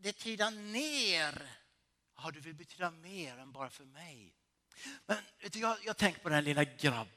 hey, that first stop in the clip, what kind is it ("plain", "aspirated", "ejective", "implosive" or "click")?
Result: plain